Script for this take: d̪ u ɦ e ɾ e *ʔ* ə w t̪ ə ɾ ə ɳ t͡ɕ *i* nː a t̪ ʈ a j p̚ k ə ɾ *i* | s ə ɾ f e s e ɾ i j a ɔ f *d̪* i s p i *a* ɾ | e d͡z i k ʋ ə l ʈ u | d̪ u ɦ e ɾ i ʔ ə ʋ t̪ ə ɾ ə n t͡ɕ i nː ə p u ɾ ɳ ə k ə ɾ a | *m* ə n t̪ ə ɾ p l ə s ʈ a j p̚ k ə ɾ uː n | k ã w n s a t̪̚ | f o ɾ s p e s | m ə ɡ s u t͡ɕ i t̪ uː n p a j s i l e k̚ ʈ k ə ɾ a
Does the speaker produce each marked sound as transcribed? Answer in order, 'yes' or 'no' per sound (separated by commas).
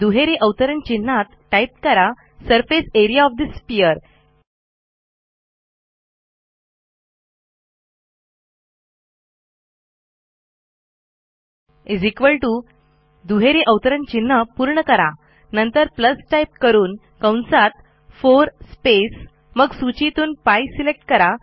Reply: yes, yes, no, yes, no, no